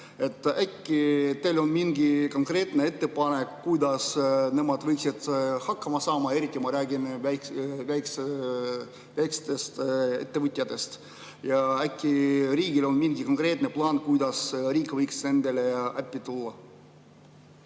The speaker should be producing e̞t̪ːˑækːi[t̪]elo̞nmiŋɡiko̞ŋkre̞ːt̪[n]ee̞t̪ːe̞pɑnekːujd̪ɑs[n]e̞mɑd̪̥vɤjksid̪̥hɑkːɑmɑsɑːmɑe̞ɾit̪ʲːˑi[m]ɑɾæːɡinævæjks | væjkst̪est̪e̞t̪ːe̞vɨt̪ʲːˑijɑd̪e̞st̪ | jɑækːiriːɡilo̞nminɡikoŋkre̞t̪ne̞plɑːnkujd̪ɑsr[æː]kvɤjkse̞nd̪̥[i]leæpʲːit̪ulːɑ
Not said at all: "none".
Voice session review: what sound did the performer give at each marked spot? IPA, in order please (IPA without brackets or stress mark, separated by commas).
t̪, n, n, m, iː, e